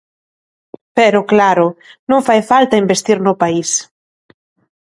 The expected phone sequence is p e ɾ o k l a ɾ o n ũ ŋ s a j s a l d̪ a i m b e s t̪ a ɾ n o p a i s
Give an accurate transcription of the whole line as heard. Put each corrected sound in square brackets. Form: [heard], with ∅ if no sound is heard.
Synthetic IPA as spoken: p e ɾ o k l a ɾ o n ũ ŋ [f] a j [f] a l [t̪] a i m b e s t̪ [i] ɾ n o p a i s